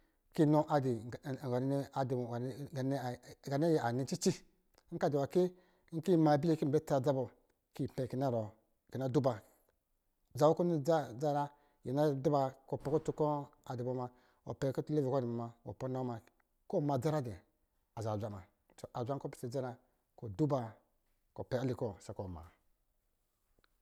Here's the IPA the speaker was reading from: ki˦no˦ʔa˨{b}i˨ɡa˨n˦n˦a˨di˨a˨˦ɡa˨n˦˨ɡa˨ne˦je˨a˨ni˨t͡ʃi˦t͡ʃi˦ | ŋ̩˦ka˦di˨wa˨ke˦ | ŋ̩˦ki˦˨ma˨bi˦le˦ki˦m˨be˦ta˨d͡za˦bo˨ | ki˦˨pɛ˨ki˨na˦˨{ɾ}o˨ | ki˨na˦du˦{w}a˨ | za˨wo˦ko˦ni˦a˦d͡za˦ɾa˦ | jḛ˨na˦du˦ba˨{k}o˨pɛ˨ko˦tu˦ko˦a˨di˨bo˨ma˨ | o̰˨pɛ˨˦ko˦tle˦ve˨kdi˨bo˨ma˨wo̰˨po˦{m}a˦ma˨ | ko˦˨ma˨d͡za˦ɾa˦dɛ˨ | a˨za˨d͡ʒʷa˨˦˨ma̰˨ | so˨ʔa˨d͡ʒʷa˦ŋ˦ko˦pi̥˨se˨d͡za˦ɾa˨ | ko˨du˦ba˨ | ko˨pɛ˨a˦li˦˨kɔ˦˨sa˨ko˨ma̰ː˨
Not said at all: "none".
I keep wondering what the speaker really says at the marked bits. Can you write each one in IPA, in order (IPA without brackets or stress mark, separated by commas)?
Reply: d, ɾ, b, k, n